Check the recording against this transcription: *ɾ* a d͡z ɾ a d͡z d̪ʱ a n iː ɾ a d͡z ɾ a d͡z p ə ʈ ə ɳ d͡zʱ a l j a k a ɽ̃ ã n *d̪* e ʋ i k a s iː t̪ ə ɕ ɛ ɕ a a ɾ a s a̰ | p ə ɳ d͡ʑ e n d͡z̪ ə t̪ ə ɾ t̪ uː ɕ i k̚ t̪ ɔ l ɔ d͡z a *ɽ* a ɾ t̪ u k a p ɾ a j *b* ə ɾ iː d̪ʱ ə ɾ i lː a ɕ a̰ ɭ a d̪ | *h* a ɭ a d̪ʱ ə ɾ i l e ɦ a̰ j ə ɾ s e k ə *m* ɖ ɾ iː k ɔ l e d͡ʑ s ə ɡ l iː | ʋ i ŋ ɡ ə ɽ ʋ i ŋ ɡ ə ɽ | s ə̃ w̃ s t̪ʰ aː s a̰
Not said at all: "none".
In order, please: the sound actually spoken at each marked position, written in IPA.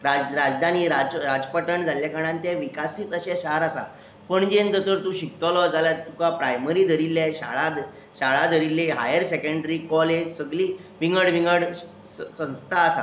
ɾ, t̪, l, m, ɕ, ɳ

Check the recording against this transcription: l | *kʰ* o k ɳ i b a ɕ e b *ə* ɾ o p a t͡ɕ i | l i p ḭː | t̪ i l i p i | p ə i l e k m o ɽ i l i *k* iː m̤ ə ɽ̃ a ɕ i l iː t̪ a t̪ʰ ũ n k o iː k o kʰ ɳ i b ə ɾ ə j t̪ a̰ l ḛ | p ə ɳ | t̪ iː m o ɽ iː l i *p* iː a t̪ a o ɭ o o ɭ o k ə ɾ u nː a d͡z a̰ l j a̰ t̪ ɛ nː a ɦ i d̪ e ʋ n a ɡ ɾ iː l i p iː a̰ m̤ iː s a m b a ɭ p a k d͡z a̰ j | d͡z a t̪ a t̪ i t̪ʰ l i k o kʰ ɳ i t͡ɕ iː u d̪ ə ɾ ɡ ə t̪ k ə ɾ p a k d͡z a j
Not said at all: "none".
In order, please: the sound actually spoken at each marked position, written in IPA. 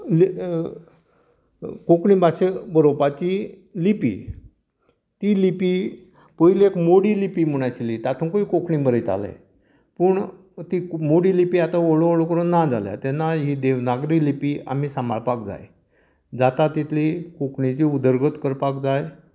k, ə, p, p

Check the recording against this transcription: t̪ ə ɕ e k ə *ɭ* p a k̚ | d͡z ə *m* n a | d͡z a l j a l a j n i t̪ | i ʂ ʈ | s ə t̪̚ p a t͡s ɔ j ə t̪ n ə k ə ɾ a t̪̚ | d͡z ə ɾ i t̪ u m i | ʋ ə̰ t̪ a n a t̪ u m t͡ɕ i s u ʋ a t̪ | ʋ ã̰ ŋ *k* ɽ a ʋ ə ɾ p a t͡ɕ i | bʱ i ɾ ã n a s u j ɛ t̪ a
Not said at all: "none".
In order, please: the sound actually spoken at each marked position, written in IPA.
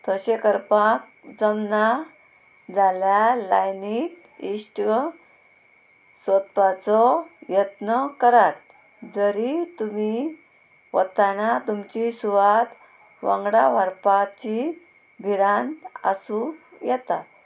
ɾ, m, ɡ

